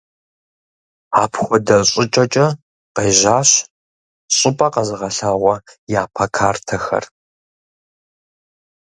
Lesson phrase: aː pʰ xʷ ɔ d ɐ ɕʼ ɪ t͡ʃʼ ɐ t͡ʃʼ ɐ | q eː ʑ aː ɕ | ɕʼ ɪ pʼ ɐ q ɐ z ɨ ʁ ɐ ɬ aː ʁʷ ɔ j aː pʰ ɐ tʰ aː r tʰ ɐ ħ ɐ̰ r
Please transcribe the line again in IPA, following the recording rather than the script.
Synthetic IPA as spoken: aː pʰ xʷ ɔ d ɐ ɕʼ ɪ t͡ʃʼ ɐ t͡ʃʼ ɐ | q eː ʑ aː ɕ | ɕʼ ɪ pʼ ɐ q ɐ z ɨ ʁ ɐ ɬ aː ʁʷ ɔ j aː pʰ ɐ kʰ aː r tʰ ɐ x ɐ̰ r